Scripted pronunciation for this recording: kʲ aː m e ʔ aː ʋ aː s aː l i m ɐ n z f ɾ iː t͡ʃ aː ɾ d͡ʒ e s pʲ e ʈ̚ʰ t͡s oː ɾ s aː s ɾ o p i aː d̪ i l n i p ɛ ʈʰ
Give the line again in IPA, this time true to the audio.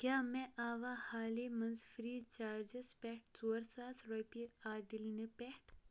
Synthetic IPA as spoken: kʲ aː m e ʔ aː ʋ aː h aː l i m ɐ n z f ɾ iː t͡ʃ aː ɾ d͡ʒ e s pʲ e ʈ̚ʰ t͡s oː ɾ s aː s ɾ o p i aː d̪ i l n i p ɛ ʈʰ